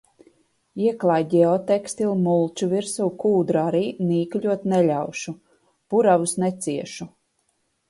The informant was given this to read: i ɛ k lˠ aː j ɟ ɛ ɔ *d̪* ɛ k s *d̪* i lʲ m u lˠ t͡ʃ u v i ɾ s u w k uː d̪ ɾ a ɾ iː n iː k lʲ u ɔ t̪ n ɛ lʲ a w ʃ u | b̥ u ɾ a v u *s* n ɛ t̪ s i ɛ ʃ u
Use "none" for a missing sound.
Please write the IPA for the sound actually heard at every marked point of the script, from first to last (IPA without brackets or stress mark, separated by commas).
t̪, t̪, s